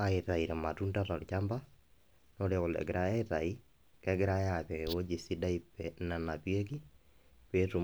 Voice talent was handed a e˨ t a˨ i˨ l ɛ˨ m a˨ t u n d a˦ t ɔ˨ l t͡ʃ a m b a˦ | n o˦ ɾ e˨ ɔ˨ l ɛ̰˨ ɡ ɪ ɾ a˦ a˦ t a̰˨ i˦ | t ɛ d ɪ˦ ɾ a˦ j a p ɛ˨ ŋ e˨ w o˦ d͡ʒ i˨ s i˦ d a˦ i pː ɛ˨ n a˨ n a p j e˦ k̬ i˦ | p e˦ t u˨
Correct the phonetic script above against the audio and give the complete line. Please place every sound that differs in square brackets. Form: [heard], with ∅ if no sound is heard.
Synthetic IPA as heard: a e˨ t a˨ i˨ [ɾ] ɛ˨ m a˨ t u n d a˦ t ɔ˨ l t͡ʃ a m b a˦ | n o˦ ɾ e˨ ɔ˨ l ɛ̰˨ ɡ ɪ ɾ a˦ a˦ t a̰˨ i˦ | [k] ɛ [ɡ] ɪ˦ ɾ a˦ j a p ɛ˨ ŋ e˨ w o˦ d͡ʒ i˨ s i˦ d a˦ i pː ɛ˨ n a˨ n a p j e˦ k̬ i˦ | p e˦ t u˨